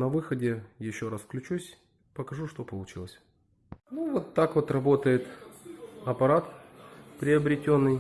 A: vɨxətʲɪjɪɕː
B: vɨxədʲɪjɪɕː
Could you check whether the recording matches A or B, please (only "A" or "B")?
B